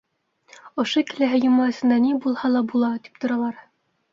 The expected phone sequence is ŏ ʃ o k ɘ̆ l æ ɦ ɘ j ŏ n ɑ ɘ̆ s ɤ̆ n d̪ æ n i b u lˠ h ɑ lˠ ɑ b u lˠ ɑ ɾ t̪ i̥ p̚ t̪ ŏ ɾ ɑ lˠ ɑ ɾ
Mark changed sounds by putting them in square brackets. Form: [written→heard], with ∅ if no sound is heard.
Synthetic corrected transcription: ŏ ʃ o k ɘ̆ l æ ɦ ɘ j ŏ [n→m] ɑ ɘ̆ s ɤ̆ n d̪ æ n i b u lˠ h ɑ lˠ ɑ b u lˠ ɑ [ɾ→∅] t̪ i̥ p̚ t̪ ŏ ɾ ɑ lˠ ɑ ɾ